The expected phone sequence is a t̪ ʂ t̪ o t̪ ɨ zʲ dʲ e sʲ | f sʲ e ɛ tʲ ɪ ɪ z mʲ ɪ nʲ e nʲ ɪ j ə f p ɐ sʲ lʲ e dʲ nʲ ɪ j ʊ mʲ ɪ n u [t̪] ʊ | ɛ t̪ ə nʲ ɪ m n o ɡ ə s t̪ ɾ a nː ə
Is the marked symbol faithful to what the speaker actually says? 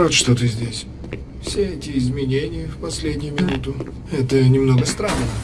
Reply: yes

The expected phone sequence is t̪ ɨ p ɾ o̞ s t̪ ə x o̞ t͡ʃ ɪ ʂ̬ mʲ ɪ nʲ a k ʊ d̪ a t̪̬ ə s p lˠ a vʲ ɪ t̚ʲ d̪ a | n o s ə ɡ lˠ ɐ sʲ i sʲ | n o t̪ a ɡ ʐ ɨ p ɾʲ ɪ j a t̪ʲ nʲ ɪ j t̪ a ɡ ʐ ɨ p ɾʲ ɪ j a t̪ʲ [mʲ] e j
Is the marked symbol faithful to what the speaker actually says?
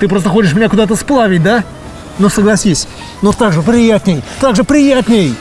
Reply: no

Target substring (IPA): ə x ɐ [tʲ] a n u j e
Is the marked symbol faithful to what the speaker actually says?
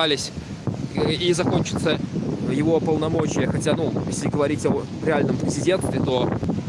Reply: yes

